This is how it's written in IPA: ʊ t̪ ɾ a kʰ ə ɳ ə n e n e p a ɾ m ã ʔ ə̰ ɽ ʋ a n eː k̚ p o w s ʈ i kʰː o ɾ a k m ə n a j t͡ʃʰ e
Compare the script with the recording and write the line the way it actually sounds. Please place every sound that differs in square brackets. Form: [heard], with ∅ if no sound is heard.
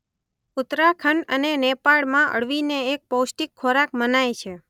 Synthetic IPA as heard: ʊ t̪ ɾ a kʰ ə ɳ ə n e n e p a [ɭ] m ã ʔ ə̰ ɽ ʋ [i] n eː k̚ p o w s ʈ i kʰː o ɾ a k m ə n a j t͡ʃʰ e

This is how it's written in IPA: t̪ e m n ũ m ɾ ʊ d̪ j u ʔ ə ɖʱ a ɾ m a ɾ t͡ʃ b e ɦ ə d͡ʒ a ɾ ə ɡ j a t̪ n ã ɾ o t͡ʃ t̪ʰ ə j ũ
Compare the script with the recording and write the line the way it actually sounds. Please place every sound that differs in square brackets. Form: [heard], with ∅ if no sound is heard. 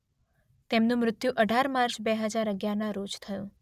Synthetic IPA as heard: t̪ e m n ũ m ɾ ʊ [t̪] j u ʔ ə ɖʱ a ɾ m a ɾ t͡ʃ b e ɦ ə d͡ʒ a ɾ ə ɡ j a [∅] n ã ɾ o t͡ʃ t̪ʰ ə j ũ

